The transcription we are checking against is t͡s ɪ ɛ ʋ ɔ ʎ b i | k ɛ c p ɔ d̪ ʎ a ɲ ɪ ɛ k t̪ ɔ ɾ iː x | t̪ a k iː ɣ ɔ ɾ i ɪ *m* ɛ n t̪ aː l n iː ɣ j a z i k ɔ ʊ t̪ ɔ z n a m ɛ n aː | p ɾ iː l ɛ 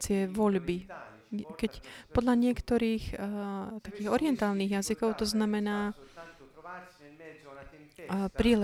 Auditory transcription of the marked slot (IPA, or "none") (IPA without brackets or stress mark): none